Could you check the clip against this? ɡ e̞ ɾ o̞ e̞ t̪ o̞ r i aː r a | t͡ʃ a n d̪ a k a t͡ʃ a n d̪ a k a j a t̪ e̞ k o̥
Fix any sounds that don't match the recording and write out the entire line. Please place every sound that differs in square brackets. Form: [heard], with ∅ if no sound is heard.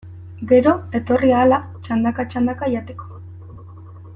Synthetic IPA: ɡ e̞ ɾ o̞ e̞ t̪ o̞ r i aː [l] a | t͡ʃ a n d̪ a k a t͡ʃ a n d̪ a k a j a t̪ e̞ k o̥